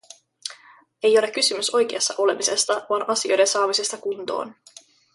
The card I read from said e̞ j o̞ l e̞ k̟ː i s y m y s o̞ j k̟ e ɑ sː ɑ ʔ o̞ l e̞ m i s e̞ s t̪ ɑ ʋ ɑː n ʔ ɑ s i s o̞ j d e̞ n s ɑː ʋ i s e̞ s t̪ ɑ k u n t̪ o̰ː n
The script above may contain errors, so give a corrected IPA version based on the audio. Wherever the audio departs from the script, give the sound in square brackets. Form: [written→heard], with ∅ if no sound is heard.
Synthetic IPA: e̞ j o̞ l e̞ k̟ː [i→y] s y m y s o̞ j k̟ e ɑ sː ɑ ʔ o̞ l e̞ m i s e̞ s t̪ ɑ ʋ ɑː n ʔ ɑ s i [s→∅] o̞ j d e̞ n s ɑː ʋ i s e̞ s t̪ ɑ k u n t̪ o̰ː n